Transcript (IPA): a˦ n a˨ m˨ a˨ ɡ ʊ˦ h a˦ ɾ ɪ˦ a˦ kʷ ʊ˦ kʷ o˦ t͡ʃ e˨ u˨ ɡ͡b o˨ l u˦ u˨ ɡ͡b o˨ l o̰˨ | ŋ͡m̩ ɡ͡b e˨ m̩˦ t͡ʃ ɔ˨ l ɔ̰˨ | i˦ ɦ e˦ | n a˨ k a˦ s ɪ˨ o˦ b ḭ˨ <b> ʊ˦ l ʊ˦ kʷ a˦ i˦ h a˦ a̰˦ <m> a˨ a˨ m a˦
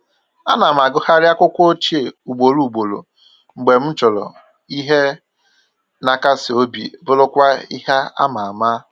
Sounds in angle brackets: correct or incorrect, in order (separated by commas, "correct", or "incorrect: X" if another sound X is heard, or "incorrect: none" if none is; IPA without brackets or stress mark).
correct, correct